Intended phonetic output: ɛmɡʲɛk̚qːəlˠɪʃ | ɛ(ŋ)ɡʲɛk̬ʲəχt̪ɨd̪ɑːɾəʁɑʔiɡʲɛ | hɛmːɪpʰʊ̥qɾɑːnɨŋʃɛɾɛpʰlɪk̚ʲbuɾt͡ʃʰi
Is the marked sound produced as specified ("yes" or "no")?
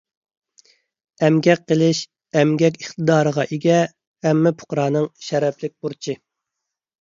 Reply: no